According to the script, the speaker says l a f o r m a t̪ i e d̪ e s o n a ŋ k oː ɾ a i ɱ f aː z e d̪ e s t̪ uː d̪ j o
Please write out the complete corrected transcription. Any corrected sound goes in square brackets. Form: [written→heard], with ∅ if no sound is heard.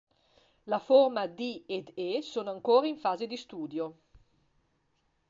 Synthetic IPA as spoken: l a f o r m a [t̪→d̪] i e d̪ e s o n a ŋ k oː ɾ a i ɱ f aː z e d̪ [e→i] s t̪ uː d̪ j o